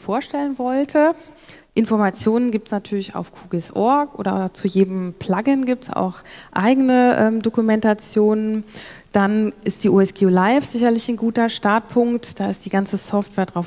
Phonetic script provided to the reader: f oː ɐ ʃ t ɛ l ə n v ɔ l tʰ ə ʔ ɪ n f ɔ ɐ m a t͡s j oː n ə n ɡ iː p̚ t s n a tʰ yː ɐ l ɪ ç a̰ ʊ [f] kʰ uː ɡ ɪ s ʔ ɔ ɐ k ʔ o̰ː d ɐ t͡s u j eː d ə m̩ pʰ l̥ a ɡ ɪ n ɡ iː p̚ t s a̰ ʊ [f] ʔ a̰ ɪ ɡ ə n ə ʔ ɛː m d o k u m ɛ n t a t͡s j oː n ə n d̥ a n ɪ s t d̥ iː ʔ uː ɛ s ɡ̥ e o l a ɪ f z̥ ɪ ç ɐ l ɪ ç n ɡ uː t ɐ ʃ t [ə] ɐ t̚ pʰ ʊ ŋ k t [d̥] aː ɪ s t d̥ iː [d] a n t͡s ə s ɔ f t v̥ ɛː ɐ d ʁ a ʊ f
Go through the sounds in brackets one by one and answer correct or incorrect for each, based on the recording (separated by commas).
correct, incorrect, incorrect, correct, incorrect